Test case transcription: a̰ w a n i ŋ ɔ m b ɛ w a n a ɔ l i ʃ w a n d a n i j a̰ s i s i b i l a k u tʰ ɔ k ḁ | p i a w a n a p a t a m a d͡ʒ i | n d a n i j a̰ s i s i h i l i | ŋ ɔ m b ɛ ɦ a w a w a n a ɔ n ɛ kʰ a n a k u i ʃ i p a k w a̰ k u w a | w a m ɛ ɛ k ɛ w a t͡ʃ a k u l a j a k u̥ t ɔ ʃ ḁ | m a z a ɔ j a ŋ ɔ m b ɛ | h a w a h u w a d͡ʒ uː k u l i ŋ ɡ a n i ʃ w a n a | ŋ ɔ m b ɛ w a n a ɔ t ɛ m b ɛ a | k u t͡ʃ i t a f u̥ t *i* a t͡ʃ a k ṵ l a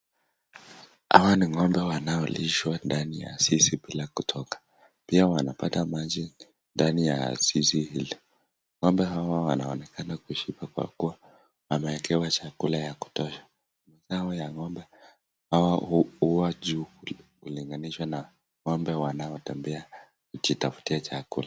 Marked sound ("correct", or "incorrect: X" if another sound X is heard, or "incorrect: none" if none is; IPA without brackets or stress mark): correct